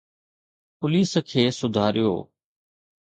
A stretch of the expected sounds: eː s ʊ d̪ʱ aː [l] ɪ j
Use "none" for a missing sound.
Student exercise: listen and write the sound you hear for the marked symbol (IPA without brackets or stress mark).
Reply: ɾ